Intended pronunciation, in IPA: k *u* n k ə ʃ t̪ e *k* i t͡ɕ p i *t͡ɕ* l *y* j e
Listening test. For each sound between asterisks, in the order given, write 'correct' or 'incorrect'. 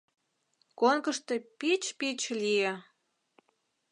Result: incorrect: o, incorrect: p, correct, incorrect: i

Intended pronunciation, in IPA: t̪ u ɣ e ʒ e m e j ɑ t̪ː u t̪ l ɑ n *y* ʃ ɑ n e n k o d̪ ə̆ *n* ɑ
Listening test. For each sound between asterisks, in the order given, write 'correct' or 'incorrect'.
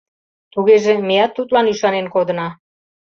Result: correct, correct

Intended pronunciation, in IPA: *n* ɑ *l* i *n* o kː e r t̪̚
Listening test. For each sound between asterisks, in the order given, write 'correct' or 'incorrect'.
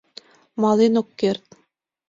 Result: incorrect: m, correct, correct

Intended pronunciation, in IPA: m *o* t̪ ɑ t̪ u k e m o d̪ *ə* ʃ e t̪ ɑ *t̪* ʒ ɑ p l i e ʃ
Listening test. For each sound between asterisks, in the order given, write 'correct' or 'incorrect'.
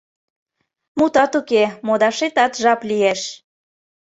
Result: incorrect: u, incorrect: ɑ, correct

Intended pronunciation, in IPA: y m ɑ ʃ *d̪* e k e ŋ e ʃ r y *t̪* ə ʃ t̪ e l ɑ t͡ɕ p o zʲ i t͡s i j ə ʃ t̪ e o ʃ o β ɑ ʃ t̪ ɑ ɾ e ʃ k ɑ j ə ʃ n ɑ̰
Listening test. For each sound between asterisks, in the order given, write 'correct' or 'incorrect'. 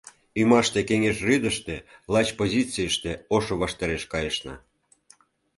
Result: incorrect: t̪, incorrect: d̪

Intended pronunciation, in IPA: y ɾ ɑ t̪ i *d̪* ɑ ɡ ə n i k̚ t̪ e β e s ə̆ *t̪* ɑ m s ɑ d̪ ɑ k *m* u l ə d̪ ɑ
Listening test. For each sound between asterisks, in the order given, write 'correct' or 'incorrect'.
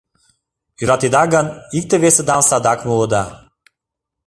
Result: correct, incorrect: d̪, correct

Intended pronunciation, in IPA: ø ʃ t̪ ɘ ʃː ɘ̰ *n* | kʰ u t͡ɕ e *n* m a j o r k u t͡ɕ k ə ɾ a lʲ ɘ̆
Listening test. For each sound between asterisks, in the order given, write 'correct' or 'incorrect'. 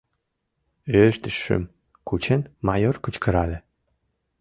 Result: incorrect: m, correct

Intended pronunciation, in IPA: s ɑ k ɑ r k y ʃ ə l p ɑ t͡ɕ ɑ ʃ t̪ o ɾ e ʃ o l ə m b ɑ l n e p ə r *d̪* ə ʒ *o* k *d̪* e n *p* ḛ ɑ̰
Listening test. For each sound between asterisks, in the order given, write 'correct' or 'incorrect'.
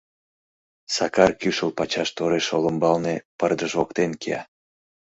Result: correct, correct, incorrect: t̪, incorrect: k

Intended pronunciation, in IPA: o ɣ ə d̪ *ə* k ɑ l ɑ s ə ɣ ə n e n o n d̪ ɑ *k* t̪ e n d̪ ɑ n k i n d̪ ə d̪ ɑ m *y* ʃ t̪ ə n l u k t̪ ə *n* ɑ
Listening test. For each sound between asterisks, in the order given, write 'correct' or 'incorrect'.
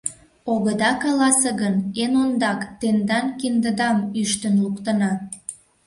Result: incorrect: ɑ, correct, correct, correct

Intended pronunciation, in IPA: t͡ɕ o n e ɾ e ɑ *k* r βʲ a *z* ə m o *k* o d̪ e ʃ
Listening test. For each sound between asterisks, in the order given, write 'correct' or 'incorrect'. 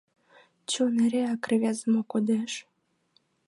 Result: correct, correct, correct

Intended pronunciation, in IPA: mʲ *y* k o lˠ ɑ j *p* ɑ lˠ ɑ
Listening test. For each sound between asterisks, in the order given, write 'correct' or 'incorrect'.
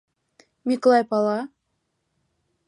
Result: incorrect: i, correct

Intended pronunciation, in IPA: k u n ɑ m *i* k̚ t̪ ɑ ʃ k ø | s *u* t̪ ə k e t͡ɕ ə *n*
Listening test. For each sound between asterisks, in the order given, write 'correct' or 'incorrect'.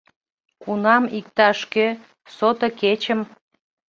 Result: correct, incorrect: o, incorrect: m

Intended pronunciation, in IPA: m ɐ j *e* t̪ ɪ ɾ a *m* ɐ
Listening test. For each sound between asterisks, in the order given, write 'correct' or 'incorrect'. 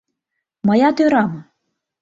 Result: incorrect: a, correct

